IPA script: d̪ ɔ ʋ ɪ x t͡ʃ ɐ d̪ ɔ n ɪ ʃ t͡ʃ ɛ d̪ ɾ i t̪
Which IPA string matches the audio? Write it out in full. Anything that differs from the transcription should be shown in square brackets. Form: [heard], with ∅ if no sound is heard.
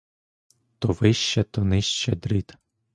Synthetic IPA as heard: [t̪] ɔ ʋ ɪ [ʃ] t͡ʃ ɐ [t̪] ɔ n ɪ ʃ t͡ʃ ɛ d̪ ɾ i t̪